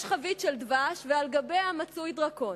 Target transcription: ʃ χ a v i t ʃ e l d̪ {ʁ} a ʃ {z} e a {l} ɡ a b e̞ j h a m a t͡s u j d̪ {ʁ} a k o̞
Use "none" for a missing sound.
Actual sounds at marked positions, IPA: v, v, l, ʁ

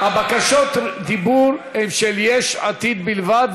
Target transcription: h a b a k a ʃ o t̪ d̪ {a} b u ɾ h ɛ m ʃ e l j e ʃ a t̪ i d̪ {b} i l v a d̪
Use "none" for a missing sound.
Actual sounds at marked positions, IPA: i, b

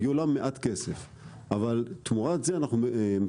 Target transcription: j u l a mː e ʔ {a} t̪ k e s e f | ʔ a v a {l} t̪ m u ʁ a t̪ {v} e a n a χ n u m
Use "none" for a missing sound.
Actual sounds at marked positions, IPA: a, l, z

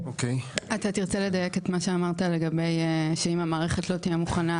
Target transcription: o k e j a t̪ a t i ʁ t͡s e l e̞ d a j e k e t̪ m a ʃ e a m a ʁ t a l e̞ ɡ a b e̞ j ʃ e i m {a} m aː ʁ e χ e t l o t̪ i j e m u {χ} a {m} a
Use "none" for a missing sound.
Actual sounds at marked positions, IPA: a, χ, n

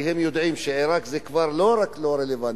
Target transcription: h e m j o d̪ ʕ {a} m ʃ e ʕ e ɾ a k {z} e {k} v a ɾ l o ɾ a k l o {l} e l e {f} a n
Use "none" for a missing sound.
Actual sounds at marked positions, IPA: i, z, k, ɾ, v

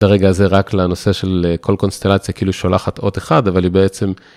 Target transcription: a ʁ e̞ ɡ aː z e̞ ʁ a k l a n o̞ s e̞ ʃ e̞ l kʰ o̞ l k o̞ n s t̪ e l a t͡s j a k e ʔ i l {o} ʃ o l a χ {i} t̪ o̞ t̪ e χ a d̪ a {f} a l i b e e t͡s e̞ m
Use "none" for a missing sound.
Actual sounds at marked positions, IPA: u, a, v

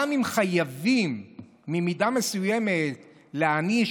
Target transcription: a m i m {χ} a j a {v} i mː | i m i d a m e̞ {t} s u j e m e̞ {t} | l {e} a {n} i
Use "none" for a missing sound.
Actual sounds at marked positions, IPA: χ, v, none, t, e, n

